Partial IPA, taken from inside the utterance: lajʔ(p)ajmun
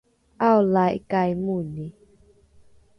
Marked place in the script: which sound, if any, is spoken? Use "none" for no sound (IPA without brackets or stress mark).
k